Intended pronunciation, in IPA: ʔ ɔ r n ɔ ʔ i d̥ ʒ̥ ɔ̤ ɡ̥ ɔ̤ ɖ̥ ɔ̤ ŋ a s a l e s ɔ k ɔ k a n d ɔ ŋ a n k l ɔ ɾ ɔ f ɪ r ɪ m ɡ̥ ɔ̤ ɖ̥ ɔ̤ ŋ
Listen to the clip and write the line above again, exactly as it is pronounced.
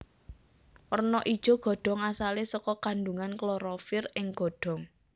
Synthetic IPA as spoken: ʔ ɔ r n ɔ ʔ i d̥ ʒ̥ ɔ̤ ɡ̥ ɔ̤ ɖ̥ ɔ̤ ŋ a s a l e s ɔ k ɔ k a n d u ŋ a n k l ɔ ɾ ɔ f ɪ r ɪ ŋ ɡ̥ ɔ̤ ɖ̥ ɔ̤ ŋ